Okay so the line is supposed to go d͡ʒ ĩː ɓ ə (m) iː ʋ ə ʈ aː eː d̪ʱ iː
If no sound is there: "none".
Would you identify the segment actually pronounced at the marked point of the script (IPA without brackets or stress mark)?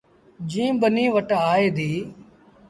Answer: n